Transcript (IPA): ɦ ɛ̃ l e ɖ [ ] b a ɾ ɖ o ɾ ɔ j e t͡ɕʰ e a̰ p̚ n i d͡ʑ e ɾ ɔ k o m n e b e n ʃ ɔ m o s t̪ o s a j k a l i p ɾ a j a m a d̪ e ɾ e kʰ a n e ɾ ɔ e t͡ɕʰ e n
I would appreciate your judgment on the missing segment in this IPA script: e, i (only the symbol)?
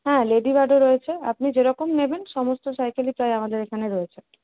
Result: i